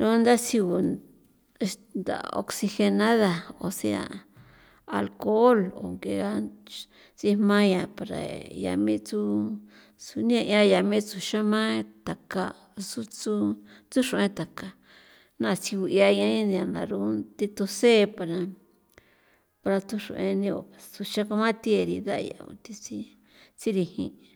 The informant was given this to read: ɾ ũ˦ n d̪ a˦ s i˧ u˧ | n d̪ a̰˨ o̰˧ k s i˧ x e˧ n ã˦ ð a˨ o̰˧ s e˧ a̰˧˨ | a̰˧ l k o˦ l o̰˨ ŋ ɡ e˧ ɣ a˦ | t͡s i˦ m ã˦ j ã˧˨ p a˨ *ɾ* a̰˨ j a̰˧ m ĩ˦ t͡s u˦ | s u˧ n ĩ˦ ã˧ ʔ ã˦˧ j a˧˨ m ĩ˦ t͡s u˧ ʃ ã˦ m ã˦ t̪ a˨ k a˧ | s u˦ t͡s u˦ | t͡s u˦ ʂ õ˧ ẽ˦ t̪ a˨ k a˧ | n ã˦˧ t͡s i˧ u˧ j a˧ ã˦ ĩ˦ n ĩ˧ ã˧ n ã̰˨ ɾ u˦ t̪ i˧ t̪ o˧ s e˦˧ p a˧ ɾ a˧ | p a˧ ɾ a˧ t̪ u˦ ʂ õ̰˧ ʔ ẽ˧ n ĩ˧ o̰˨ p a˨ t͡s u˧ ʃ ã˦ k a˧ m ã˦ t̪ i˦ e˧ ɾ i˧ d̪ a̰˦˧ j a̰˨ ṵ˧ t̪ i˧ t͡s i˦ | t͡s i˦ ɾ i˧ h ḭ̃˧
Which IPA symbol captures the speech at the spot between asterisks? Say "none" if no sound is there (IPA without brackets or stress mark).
ɾ